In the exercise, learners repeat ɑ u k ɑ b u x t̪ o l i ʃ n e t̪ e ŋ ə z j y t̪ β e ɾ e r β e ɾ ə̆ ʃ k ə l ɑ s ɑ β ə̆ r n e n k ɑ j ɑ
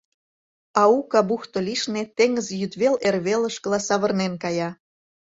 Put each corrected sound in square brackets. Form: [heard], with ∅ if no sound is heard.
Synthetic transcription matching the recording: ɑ u k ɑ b u x t̪ o l i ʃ n e t̪ e ŋ ə z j y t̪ β e [l] e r β e [l] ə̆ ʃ k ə l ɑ s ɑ β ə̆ r n e n k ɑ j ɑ